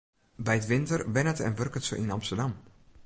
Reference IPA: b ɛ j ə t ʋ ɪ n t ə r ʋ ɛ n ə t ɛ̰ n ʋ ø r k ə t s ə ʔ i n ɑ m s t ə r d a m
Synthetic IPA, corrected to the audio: b ɛ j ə t ʋ ɪ n t ə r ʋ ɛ n ə t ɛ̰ n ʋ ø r k ə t s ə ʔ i n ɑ m s t ə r d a m